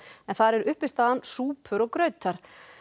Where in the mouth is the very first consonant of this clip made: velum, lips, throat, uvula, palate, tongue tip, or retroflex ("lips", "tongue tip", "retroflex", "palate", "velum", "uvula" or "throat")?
tongue tip